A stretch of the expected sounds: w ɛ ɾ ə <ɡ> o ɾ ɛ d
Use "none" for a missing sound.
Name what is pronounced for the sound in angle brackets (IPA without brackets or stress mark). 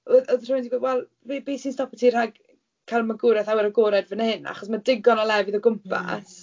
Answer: ɡ